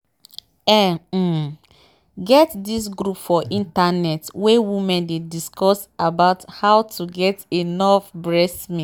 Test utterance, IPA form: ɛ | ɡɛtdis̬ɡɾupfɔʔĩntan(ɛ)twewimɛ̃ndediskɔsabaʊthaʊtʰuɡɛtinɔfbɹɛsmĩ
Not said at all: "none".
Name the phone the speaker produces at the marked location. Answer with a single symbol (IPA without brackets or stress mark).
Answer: ɛ